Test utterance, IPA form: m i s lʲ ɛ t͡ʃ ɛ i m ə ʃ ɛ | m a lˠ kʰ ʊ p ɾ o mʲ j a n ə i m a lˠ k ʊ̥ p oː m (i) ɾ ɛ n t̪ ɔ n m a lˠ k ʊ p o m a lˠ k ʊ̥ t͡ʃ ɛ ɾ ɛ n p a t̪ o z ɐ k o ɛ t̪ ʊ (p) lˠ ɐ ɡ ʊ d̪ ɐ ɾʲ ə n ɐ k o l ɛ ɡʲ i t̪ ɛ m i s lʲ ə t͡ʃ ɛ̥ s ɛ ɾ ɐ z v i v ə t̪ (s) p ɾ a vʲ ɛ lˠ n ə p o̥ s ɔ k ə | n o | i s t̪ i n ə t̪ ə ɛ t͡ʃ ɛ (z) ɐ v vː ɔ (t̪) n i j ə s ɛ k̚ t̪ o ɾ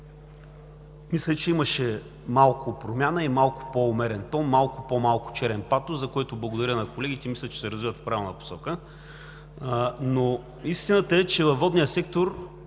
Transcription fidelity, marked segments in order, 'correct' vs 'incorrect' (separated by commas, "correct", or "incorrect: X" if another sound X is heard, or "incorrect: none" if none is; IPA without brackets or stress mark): incorrect: ɛ, incorrect: b, incorrect: f, incorrect: v, incorrect: d̪